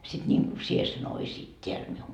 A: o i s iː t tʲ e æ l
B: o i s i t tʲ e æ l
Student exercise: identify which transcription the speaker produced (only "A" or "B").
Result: A